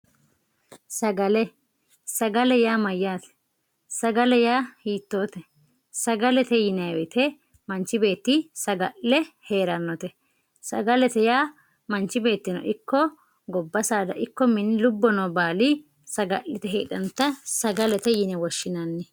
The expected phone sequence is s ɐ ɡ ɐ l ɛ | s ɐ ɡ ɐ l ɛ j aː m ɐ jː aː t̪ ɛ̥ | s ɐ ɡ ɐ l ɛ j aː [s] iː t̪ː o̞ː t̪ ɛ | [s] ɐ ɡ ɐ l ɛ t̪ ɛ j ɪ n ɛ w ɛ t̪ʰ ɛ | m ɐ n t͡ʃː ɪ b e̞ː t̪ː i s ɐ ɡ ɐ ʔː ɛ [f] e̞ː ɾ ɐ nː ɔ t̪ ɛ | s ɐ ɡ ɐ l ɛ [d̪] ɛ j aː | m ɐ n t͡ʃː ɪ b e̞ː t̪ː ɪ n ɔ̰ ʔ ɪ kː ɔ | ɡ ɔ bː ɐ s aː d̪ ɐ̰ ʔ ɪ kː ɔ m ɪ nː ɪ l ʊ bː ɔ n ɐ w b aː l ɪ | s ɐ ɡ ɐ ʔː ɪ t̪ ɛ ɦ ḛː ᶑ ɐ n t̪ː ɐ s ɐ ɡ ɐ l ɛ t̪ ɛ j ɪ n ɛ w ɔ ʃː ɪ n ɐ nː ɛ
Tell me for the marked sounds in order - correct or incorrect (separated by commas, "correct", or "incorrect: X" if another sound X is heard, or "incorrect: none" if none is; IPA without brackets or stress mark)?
incorrect: h, correct, incorrect: h, incorrect: t̪